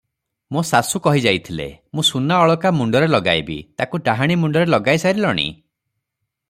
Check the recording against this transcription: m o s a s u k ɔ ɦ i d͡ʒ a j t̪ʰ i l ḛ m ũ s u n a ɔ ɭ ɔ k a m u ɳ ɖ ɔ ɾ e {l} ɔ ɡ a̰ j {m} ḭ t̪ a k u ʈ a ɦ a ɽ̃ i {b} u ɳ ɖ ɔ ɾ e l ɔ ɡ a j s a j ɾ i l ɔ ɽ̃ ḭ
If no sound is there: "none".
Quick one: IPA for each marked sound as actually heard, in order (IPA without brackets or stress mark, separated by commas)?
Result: l, b, m